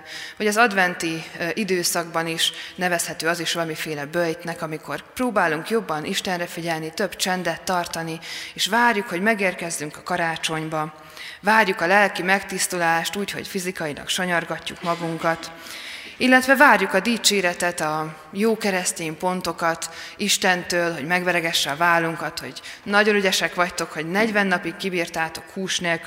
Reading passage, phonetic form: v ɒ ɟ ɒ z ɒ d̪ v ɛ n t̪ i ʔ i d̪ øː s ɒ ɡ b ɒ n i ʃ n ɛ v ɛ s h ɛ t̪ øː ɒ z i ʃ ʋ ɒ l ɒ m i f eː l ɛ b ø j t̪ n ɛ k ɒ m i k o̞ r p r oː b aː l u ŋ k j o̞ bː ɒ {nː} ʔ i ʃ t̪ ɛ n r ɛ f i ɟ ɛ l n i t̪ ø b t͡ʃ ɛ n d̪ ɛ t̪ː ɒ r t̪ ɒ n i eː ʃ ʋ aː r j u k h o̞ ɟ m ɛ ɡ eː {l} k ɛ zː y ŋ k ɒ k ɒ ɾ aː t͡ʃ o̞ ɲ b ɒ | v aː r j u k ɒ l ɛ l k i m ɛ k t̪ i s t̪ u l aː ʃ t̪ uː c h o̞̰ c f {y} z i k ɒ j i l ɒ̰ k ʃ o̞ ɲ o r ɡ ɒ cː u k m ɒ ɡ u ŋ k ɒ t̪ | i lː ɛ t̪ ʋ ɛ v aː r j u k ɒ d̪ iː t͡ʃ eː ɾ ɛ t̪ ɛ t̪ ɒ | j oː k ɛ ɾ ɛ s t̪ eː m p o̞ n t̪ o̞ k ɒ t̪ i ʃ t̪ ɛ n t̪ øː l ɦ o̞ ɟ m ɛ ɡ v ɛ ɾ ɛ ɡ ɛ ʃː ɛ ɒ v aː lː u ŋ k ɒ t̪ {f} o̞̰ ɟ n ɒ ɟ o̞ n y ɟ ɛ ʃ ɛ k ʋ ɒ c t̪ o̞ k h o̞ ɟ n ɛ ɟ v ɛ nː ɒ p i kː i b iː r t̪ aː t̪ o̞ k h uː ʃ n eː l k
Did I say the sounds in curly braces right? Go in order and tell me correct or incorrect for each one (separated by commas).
incorrect, incorrect, incorrect, incorrect